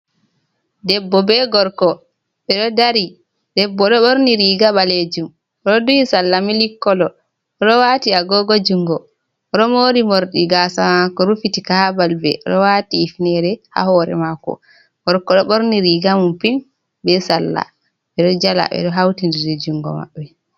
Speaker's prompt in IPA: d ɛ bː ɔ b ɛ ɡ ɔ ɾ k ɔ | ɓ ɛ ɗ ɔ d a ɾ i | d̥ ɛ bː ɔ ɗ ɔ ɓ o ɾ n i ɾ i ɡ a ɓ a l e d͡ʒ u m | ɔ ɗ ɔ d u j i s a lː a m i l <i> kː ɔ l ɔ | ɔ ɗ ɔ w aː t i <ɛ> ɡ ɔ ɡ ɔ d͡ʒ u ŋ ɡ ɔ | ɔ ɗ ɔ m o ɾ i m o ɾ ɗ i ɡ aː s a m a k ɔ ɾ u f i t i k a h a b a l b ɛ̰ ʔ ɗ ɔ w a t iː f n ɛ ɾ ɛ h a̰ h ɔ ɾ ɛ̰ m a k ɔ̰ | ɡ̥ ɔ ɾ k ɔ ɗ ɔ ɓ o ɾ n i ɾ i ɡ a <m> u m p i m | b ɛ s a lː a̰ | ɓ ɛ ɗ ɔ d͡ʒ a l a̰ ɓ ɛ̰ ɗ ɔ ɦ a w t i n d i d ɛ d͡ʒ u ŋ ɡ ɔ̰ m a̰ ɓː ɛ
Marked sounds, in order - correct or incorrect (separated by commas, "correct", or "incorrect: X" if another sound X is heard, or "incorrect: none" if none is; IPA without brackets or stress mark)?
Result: correct, incorrect: a, correct